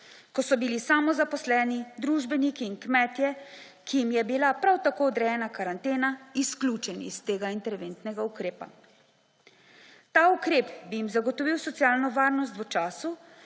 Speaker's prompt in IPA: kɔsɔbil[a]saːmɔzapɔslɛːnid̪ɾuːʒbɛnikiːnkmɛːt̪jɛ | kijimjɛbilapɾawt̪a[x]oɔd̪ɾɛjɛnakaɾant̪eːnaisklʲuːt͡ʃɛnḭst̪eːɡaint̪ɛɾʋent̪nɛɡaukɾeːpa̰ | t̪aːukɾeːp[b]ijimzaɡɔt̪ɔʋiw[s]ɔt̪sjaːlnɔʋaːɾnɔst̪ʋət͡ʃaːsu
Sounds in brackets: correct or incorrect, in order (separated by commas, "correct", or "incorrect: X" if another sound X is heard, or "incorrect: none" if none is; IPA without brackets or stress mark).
incorrect: i, incorrect: k, correct, correct